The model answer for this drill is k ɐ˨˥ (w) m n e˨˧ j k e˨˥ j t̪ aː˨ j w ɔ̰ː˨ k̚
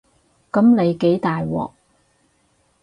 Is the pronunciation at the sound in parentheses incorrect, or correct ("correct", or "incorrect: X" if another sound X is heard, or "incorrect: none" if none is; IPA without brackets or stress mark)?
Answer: incorrect: none